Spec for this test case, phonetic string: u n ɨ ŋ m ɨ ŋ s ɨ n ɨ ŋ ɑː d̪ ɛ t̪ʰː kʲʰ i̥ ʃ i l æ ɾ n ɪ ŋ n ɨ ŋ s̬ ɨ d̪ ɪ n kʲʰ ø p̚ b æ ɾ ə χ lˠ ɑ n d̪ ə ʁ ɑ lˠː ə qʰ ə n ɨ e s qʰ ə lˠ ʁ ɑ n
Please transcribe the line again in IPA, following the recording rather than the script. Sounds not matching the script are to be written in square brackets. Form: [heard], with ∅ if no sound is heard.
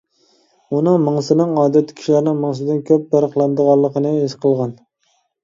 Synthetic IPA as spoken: u n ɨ ŋ m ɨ ŋ s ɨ n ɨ ŋ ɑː d̪ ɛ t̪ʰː kʲʰ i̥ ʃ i l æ ɾ n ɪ ŋ [m] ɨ ŋ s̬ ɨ d̪ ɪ n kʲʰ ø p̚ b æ ɾ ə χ lˠ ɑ n d̪ ə ʁ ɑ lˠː ə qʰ ə n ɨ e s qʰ ə lˠ ʁ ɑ n